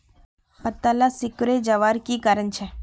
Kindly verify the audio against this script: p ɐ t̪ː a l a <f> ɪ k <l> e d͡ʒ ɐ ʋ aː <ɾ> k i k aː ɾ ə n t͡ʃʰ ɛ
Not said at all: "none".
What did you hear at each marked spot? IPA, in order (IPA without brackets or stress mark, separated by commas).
s, ɾ, ɾ